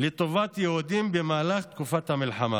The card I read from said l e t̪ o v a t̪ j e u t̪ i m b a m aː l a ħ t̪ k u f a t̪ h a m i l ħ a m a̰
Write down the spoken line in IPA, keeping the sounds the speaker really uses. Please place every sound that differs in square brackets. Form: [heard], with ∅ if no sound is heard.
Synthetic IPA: l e t̪ o v a t̪ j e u [d̪] i m b [e] m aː l a [χ] t̪ k u f a t̪ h a m i l ħ a m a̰